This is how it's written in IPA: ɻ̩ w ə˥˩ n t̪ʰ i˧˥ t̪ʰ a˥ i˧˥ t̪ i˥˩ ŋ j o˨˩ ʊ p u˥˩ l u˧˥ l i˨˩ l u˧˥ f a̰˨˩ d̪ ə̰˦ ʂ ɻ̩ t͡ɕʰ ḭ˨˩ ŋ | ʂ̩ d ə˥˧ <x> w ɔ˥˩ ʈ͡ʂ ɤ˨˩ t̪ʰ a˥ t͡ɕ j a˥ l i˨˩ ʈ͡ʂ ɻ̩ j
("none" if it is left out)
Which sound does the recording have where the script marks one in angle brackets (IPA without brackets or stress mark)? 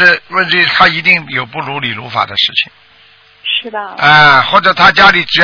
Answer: x